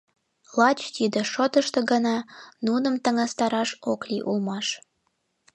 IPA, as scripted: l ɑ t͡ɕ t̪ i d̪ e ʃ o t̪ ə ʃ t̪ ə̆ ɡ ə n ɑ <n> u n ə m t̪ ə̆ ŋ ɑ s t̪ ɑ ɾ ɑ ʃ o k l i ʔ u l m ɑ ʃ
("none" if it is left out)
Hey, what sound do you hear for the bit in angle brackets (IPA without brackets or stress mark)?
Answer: n